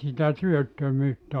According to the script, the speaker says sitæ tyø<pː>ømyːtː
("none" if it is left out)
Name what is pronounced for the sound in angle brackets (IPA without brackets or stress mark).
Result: tː